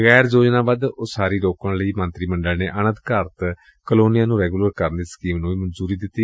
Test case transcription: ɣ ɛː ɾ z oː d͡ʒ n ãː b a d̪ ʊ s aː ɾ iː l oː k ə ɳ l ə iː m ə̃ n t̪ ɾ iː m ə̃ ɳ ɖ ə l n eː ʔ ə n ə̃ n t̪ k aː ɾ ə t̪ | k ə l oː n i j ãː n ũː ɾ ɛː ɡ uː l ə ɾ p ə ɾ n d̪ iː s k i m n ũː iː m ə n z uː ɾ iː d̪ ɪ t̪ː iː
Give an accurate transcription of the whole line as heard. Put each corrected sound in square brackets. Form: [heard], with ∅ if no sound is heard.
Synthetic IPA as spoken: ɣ ɛː ɾ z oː d͡ʒ n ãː b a d̪ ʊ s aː ɾ iː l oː k ə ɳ l ə iː m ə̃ n t̪ ɾ iː m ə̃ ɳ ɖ ə l n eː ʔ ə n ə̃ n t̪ k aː ɾ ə t̪ | k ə l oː n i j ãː n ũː ɾ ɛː ɡ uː l ə ɾ [k] ə ɾ n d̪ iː s k [iː] m n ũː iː m ə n z uː ɾ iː d̪ ɪ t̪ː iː